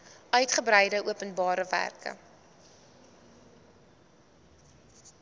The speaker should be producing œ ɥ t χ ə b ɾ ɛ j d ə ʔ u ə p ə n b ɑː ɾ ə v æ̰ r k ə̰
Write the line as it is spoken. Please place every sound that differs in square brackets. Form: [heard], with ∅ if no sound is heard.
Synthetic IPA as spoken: œ ɥ t χ ə b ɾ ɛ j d ə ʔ u ə p ə n b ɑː ɾ ə v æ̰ r k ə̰